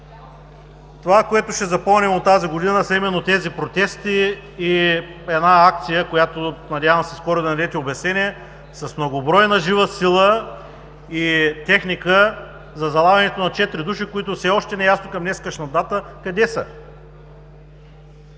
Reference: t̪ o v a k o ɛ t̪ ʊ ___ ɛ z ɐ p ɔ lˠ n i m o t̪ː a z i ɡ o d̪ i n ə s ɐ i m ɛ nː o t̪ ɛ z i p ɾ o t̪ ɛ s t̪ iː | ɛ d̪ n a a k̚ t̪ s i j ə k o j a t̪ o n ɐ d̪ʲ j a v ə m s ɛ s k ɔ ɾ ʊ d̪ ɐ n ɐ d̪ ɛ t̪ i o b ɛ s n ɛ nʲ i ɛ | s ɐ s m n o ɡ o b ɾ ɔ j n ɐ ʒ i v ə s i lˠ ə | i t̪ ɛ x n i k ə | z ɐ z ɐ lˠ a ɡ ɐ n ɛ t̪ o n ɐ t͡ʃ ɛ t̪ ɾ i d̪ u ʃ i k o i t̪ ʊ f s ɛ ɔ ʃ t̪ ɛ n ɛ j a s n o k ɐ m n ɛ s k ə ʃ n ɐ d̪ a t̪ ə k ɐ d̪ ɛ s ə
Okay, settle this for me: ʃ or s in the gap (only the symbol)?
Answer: ʃ